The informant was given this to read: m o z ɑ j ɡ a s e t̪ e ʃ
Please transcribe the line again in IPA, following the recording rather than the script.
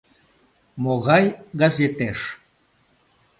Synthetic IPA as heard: m o ɣ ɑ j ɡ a z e t̪ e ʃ